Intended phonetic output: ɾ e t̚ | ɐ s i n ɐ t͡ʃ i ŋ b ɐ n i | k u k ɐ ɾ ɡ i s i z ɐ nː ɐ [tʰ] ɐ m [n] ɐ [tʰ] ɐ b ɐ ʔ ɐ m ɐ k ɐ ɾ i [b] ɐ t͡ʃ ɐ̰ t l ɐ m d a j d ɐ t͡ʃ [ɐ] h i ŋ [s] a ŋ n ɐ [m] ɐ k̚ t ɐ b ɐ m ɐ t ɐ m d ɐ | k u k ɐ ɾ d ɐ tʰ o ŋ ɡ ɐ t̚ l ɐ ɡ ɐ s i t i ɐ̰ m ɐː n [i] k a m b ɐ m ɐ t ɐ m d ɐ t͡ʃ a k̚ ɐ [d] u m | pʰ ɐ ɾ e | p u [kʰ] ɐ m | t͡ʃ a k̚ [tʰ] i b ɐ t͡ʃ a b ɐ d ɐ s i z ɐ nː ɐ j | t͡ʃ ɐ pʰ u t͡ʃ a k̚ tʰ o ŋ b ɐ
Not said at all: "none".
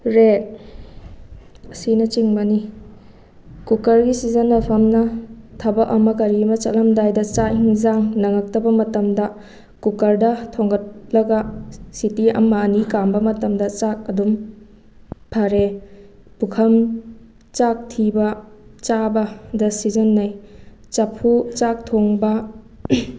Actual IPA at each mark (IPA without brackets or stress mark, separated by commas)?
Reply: pʰ, n, tʰ, m, a, z, ŋ, i, d, kʰ, tʰ